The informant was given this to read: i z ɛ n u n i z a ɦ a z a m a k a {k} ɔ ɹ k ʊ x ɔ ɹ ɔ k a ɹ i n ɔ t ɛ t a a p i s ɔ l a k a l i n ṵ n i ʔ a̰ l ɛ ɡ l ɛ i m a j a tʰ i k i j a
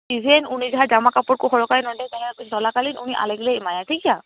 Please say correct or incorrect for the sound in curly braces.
incorrect